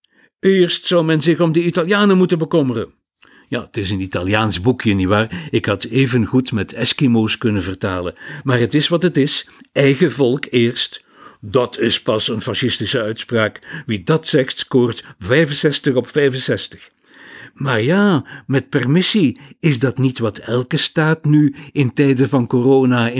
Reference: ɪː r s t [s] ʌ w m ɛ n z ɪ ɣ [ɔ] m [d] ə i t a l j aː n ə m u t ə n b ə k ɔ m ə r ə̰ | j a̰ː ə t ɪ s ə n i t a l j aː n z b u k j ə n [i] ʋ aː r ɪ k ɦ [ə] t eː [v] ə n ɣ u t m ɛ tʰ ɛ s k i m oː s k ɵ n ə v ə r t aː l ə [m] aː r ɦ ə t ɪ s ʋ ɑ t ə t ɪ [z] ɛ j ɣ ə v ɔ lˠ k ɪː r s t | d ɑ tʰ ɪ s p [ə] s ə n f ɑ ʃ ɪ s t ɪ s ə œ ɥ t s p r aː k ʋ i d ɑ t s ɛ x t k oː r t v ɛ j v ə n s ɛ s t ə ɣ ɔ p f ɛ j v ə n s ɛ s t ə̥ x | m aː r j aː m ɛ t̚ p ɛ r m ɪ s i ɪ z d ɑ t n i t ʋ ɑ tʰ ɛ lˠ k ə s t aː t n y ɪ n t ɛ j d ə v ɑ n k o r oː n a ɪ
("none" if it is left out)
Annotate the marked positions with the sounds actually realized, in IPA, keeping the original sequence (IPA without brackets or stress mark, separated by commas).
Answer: s, ɔ, d, i, ɑ, v, m, s, ɑ